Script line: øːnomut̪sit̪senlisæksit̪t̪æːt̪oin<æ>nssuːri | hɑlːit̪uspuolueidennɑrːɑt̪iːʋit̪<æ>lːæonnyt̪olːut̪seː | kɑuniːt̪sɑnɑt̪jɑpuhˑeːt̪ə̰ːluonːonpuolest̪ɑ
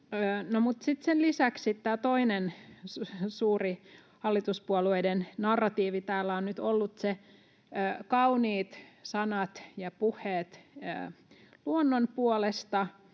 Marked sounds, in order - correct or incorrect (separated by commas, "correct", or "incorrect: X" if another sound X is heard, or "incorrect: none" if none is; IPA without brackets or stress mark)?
incorrect: e, incorrect: æː